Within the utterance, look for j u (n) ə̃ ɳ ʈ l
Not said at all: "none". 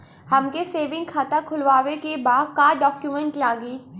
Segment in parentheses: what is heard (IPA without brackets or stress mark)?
m